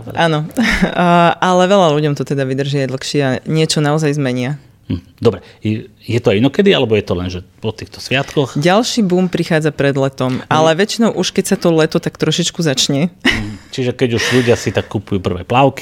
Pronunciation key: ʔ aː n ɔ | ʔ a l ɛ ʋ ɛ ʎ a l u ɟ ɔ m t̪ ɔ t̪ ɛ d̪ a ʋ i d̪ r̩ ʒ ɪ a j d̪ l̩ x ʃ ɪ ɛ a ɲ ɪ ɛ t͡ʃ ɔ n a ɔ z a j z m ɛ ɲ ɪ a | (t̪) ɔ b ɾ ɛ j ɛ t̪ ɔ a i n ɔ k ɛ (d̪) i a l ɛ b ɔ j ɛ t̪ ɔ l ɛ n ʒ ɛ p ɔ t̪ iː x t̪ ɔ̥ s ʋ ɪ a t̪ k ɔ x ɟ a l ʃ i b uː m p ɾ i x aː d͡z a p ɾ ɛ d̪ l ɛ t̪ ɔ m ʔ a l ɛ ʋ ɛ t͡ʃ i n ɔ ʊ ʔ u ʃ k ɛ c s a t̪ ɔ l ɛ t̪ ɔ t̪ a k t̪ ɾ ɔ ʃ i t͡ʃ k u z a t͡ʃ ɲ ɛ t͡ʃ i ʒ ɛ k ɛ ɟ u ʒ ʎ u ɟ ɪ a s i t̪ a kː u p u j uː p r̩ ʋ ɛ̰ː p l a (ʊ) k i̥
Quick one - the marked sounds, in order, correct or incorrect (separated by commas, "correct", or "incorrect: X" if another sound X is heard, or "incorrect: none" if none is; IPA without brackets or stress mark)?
incorrect: d̪, correct, correct